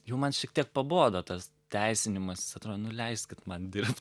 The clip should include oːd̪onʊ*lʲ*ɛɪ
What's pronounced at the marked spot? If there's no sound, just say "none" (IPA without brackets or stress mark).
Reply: lʲ